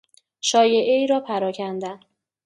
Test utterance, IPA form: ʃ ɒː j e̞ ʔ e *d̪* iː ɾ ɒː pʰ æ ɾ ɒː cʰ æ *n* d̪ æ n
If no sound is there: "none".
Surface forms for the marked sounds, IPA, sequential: none, n

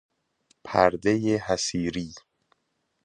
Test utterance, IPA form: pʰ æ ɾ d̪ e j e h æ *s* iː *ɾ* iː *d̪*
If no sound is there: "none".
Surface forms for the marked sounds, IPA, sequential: s, ɾ, none

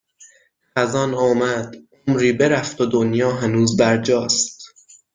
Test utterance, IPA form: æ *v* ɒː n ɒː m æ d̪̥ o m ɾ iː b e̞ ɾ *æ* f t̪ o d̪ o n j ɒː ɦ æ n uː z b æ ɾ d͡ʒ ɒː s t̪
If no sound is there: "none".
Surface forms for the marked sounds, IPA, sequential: z, æ

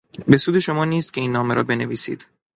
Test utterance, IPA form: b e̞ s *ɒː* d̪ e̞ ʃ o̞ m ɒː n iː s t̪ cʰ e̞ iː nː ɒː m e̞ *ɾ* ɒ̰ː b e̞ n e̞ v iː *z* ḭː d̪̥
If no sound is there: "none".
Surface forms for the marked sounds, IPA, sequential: uː, ɾ, s

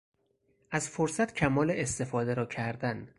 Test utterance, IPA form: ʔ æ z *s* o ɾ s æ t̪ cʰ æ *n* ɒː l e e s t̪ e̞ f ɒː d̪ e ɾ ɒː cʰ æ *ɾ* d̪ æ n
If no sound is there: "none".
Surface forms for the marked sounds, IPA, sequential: f, m, ɾ

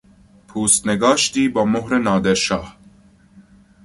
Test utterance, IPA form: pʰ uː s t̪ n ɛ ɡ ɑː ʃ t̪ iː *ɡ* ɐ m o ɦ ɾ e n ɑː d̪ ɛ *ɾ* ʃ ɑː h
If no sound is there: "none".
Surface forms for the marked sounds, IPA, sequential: b, ɾ

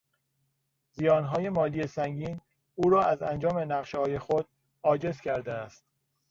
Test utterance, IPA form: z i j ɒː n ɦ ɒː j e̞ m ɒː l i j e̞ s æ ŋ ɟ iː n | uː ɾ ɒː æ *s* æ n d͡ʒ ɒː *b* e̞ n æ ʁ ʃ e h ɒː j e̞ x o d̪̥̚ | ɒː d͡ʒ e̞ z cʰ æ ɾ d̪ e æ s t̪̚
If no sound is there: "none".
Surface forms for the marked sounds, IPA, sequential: z, m

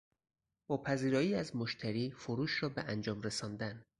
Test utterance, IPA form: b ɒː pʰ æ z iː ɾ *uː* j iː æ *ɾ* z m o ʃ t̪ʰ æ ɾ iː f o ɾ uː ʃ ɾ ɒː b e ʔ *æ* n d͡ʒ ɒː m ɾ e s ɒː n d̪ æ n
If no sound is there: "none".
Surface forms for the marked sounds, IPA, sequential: ɒː, none, æ

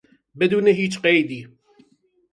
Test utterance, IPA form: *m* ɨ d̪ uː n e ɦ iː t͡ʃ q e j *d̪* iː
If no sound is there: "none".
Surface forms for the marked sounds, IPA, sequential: b, d̪

